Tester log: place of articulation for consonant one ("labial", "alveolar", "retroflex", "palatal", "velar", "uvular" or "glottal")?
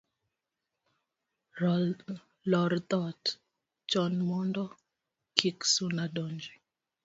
alveolar